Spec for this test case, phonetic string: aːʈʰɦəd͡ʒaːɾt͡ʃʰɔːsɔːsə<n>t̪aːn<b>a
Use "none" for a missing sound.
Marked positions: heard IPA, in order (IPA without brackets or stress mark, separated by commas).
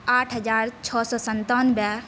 n, b